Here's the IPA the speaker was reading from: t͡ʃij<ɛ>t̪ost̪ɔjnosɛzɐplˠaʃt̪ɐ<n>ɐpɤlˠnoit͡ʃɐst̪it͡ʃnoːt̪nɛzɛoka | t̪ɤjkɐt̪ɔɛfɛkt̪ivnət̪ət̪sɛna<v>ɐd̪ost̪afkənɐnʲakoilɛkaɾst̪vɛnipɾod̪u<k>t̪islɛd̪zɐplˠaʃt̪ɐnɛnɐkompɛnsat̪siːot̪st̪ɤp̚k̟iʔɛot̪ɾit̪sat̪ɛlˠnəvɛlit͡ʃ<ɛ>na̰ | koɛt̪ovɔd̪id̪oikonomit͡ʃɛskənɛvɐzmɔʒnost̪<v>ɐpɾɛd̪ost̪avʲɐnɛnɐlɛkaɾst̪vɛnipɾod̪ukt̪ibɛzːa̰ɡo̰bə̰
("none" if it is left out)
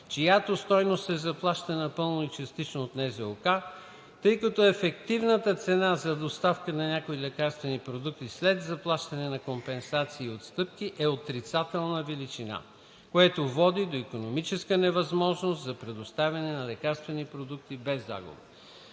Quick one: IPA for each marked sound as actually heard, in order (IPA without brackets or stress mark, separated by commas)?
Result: a, n, z, k, i, z